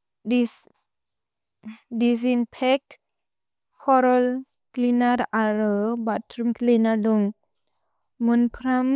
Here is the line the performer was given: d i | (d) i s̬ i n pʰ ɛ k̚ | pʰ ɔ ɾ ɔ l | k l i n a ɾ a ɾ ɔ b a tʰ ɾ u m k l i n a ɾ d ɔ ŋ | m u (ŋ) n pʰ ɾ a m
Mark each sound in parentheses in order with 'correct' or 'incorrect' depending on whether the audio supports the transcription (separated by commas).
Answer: correct, incorrect